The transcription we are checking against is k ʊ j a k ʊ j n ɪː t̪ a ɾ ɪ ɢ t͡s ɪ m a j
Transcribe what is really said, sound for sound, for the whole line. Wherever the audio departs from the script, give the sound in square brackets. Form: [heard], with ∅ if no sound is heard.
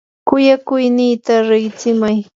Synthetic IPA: k ʊ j a k ʊ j n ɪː t̪ a ɾ ɪ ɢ t͡s ɪ m a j